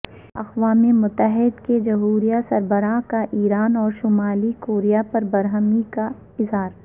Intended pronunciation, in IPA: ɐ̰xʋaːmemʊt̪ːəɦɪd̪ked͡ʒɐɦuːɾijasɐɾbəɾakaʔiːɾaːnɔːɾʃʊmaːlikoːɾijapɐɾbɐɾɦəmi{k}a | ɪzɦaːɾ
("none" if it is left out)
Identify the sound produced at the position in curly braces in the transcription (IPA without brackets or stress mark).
k